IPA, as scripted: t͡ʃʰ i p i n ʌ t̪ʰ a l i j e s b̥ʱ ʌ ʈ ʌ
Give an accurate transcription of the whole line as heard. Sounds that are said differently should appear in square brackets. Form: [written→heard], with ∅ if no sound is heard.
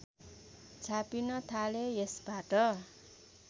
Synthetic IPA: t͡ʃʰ [i→a] p i n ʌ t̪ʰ a l [i→e] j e s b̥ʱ [ʌ→a] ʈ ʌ